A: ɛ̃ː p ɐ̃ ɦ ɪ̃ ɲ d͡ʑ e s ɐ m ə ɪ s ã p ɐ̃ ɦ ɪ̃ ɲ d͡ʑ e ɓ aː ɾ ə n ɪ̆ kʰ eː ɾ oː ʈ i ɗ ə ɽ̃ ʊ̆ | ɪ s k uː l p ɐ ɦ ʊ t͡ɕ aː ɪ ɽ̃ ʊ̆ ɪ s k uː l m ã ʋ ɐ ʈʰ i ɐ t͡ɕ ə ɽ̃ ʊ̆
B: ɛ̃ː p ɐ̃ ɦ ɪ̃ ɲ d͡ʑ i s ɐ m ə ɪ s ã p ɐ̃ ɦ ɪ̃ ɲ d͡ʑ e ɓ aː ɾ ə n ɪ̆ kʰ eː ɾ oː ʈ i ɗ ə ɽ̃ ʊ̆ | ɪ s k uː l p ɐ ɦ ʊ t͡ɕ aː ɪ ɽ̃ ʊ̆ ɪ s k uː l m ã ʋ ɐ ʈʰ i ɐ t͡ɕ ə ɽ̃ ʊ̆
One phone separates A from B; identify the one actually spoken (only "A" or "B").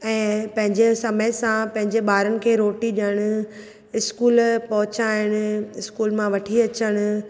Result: A